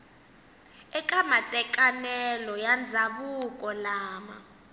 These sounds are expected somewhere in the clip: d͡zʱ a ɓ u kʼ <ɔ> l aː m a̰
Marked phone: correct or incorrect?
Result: correct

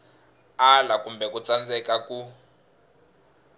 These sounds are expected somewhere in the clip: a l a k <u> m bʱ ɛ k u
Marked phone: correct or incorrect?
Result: correct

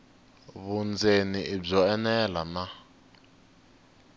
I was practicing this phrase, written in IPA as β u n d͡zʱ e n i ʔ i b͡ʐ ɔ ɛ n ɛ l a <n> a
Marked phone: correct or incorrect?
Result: correct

